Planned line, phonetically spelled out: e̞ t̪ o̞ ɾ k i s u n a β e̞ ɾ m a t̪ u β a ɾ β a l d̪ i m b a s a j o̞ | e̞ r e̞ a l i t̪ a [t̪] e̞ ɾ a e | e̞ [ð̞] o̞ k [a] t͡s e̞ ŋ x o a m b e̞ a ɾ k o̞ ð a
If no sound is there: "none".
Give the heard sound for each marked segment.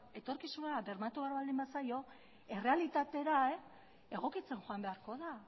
t̪, ɣ̞, i

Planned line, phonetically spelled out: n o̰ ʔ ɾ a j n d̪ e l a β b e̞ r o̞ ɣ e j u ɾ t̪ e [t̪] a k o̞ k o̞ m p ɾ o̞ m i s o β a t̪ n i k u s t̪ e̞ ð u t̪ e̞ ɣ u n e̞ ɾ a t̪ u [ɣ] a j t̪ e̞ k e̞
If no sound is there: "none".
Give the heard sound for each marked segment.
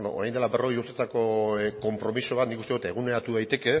t̪, ð

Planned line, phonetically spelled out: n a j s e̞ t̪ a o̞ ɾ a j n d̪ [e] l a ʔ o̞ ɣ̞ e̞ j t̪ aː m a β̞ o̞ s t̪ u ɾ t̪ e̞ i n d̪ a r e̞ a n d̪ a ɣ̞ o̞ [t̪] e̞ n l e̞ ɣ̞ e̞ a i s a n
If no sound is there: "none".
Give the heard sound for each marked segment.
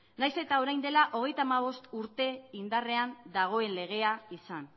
e, none

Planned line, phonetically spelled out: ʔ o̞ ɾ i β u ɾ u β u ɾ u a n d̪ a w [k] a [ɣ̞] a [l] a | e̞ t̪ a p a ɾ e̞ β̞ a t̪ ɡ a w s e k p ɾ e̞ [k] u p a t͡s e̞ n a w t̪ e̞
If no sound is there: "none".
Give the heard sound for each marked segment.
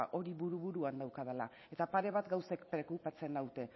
k, ð̞, l, k

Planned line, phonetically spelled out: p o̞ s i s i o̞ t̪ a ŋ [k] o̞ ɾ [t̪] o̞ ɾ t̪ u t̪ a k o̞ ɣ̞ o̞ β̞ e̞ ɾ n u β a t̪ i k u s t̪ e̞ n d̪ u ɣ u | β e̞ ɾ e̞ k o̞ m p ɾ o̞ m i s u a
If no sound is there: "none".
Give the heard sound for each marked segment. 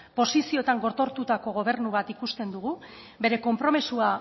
ɡ, t̪

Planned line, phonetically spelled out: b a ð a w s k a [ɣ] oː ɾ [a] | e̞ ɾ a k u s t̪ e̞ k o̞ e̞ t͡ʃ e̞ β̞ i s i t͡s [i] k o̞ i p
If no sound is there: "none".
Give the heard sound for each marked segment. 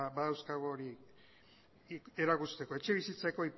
ɣ, i, a

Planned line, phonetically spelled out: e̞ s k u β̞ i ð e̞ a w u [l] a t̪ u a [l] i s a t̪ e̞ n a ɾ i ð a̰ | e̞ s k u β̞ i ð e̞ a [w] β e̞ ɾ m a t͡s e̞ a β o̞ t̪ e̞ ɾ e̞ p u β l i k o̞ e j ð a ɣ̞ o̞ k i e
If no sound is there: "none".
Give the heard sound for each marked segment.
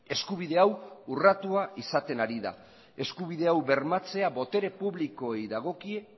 r, none, w

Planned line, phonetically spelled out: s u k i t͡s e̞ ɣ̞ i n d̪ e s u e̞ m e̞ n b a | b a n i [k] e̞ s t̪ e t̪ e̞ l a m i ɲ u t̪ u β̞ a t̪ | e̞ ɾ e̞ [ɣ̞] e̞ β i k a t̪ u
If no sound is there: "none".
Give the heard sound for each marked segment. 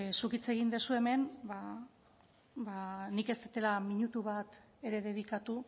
k, ð̞

